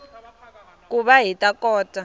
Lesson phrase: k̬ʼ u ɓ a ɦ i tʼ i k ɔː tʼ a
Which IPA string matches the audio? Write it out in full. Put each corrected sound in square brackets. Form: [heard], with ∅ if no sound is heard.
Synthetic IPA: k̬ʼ u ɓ a ɦ i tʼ [a] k ɔː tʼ a

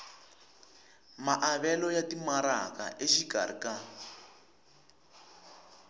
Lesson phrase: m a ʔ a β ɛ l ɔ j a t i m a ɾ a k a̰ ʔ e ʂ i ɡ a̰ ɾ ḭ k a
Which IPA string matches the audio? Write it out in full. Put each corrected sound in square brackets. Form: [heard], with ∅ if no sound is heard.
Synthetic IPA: m a ʔ a β ɛ l ɔ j a t i m a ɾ a k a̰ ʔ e [ʃ] i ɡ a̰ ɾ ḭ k a

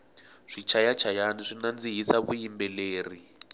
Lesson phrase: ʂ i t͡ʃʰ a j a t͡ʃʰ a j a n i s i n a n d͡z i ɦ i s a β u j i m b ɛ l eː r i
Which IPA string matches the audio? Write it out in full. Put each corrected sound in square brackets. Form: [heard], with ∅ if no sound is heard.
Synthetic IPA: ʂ i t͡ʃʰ a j a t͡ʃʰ a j a n i [ʂ] i n a n d͡z i ɦ i s a β u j i m b ɛ l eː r i

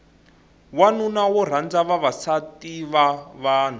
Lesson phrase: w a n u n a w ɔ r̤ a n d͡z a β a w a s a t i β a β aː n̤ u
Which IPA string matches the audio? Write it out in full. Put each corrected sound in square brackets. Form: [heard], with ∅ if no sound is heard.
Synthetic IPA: w a n u n a w ɔ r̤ a n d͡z a β a [β] a s a t i β a β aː n̤ u

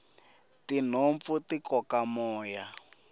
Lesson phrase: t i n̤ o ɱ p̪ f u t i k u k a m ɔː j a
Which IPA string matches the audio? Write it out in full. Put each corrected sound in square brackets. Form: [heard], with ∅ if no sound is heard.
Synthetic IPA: t i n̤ o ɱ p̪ f u t i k [ɔ] k a m ɔː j a

